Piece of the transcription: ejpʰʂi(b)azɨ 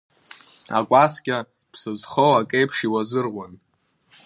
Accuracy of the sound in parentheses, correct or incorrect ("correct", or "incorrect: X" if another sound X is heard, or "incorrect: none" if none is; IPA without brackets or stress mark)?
incorrect: w